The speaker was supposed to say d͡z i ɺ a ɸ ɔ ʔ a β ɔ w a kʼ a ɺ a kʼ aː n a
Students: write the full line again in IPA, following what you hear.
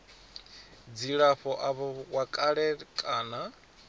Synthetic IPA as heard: d͡z i ɺ a ɸ ɔ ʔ a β ɔ w a kʼ a ɺ ɛ kʼ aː n a